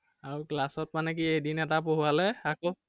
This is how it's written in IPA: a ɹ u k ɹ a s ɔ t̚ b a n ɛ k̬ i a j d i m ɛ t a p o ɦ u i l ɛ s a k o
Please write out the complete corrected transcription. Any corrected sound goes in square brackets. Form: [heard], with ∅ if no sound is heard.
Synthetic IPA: a ɹ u k [l] a s ɔ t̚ [m] a n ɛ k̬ i [e] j d i [n] ɛ t a p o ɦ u [a] l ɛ [∅] a k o